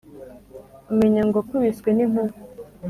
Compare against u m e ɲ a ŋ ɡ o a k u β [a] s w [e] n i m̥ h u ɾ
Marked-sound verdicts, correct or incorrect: incorrect, correct

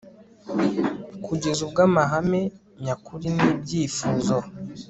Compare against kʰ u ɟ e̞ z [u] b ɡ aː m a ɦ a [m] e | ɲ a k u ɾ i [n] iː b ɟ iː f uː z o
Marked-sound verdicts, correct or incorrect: correct, correct, correct

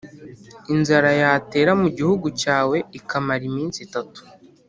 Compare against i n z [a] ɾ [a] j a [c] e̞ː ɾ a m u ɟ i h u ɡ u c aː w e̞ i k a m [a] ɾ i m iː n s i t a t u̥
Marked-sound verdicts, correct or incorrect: correct, correct, incorrect, correct

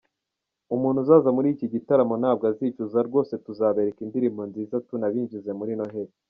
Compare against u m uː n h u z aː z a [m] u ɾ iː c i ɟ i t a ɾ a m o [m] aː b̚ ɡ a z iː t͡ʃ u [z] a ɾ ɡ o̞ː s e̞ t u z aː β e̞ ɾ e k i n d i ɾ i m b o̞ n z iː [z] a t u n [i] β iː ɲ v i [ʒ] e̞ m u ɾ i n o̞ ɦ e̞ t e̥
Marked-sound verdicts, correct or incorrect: correct, incorrect, correct, correct, incorrect, incorrect

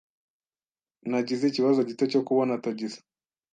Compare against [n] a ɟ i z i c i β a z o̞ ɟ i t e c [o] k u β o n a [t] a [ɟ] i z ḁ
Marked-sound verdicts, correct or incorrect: correct, correct, correct, correct

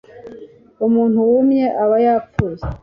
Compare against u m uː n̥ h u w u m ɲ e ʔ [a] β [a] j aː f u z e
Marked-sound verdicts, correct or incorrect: correct, correct

